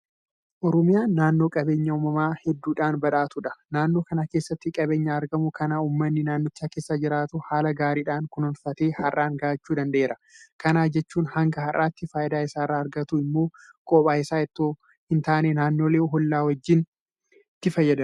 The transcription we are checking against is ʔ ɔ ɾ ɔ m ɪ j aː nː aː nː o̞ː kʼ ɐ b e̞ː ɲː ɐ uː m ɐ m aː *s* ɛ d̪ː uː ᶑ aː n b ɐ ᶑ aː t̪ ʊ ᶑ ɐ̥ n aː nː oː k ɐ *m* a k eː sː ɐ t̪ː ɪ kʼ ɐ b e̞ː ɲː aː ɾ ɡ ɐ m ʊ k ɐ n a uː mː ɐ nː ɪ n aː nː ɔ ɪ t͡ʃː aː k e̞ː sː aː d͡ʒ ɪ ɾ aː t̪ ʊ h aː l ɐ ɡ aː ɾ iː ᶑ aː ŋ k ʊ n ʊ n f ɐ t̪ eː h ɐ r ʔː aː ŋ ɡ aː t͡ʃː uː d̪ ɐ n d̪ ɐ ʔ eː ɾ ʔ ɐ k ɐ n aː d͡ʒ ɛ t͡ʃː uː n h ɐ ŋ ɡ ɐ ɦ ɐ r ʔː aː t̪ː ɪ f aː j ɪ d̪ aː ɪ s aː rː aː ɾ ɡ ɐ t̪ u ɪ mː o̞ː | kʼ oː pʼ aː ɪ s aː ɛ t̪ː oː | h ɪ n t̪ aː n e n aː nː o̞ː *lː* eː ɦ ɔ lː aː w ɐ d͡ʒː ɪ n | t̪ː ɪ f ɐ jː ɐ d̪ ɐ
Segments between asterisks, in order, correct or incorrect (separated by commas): incorrect, incorrect, incorrect